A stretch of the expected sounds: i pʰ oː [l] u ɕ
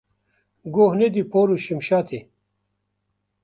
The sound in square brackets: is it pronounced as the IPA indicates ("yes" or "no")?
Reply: no